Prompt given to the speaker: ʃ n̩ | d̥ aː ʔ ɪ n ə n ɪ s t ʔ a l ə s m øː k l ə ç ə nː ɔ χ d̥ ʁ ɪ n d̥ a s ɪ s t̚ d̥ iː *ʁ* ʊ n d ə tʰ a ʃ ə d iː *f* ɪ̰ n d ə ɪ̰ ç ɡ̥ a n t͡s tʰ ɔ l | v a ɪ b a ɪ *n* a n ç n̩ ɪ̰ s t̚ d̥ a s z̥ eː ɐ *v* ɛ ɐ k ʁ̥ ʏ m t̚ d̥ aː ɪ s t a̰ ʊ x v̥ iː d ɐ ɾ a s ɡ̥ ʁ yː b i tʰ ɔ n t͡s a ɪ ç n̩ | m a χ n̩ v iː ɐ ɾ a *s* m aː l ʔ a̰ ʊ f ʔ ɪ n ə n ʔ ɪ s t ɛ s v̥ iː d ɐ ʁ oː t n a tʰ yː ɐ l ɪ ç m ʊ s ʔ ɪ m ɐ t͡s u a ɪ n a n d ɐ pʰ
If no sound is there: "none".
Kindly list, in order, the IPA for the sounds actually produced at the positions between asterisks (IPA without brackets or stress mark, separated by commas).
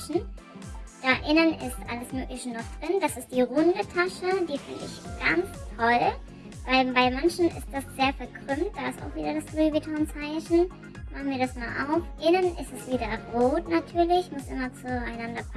ʁ, f, m, f, s